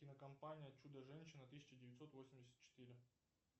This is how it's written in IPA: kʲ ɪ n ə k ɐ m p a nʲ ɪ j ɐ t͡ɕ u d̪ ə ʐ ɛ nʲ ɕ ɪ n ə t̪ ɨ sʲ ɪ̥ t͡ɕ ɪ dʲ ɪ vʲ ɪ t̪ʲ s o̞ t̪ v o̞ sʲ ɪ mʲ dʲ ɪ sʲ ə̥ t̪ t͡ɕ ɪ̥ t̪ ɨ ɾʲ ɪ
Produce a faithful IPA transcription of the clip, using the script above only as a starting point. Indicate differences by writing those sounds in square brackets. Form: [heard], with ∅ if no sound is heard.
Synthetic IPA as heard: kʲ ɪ n ə k ɐ m p a nʲ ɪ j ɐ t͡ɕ u d̪ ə ʐ ɛ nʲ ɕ ɪ n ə t̪ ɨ sʲ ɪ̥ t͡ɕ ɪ dʲ ɪ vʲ ɪ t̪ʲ s o̞ t̪ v o̞ sʲ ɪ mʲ dʲ ɪ sʲ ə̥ t̪ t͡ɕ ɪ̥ t̪ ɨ ɾʲ ɪ

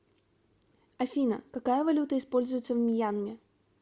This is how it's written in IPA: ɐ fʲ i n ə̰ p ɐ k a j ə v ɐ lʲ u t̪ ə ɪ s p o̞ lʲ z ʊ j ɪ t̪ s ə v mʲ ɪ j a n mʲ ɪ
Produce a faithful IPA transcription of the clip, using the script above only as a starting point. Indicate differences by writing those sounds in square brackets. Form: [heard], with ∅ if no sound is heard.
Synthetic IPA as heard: ɐ fʲ i n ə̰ [k] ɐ k a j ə v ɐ lʲ u t̪ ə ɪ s p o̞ lʲ z ʊ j ɪ t̪ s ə v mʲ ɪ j a n mʲ ɪ

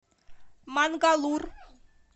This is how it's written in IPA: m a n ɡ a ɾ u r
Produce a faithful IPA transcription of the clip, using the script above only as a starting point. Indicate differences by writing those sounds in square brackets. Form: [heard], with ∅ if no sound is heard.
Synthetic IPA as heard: m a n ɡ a [l] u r

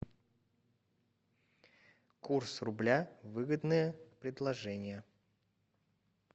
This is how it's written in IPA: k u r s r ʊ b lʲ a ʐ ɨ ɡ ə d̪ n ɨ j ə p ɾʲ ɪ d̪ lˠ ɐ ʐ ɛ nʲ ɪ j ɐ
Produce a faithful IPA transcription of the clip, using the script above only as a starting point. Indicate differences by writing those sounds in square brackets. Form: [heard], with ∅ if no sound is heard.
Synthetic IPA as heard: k u r s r ʊ b lʲ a [v] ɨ ɡ ə d̪ n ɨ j ə p ɾʲ ɪ d̪ lˠ ɐ ʐ ɛ nʲ ɪ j [ə]

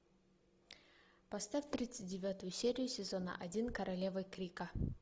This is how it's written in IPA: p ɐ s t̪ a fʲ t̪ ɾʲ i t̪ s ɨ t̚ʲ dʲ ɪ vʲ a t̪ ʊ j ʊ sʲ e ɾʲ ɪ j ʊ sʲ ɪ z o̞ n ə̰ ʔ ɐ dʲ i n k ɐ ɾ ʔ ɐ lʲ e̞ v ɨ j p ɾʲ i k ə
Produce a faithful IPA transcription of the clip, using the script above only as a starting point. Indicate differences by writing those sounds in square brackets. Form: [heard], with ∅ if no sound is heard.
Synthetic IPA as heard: p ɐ s t̪ a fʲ t̪ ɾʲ i t̪ s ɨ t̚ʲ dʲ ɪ vʲ a t̪ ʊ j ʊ sʲ e ɾʲ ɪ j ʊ sʲ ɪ z o̞ n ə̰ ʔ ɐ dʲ i n k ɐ ɾ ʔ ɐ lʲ e̞ v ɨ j [k] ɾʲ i k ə

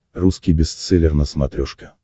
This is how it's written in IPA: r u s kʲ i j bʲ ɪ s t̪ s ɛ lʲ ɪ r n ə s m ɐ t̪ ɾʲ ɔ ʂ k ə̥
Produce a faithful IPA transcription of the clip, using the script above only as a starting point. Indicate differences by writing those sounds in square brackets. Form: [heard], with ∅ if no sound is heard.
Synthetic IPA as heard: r u s kʲ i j bʲ ɪ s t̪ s ɛ lʲ ɪ r n ə s m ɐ t̪ ɾʲ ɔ ʂ k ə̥

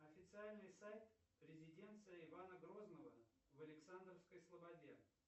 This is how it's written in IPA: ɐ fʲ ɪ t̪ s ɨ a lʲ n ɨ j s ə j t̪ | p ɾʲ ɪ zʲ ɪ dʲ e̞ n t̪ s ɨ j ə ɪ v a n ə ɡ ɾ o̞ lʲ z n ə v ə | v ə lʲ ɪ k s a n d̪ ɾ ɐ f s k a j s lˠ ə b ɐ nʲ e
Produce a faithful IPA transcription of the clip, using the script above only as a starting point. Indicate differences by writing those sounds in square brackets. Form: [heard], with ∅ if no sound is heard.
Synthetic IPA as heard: ɐ fʲ ɪ t̪ s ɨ a lʲ n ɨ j s [a] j t̪ | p ɾʲ ɪ zʲ ɪ dʲ e̞ n t̪ s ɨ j ə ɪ v a n ə ɡ ɾ o̞ [∅] z n ə v ə | v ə lʲ ɪ k s a n d̪ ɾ [ə] f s k [ə] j s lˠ ə b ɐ [dʲ] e

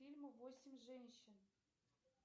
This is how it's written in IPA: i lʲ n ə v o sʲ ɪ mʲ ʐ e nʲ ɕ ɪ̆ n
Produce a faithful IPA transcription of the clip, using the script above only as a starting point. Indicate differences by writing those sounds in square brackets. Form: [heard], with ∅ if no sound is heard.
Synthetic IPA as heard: i lʲ [m] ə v o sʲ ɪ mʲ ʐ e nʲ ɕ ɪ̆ n

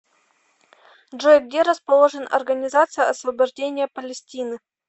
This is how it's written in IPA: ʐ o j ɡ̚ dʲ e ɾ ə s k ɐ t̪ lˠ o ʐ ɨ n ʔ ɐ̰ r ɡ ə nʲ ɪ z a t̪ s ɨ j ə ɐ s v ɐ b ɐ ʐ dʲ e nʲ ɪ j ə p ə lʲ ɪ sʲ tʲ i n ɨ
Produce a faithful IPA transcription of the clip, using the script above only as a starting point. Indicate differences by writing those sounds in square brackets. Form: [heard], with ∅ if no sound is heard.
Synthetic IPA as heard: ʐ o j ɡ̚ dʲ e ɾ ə s [p] ɐ [∅] lˠ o ʐ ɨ n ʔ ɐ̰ r ɡ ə nʲ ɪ z a t̪ s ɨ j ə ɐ s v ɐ b ɐ ʐ dʲ e nʲ ɪ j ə p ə lʲ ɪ sʲ tʲ i n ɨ

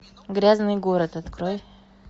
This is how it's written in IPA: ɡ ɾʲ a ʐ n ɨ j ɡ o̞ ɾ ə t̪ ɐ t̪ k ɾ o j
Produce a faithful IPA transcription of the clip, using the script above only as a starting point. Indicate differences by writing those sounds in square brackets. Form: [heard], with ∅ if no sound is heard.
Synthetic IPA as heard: ɡ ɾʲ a [z] n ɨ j ɡ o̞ ɾ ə t̪ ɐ t̪ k ɾ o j

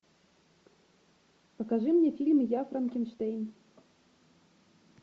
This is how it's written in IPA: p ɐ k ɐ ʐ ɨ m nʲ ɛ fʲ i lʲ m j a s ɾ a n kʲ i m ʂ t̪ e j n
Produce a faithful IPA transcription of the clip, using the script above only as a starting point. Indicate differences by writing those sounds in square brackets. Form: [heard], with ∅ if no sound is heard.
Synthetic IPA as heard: p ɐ k [a] ʐ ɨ m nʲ ɛ fʲ i lʲ m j a [f] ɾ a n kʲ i [n] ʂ t̪ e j n

